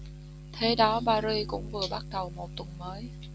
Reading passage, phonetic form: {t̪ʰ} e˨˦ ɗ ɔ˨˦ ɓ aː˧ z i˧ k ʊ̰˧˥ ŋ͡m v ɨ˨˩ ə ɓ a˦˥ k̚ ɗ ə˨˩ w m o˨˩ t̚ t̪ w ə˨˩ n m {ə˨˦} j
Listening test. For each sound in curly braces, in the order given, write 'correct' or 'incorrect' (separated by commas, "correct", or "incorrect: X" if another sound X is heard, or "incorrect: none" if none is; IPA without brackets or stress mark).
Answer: correct, incorrect: əː˨˦